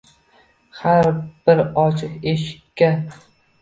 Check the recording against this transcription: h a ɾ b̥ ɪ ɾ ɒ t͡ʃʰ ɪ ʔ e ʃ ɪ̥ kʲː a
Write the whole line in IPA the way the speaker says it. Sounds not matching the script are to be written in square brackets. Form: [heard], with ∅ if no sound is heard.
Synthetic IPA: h a ɾ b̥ ɪ ɾ ɒ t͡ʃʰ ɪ [q] e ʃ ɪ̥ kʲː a